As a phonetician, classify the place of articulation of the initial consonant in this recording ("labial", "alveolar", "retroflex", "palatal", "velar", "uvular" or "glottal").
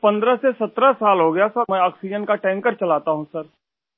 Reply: labial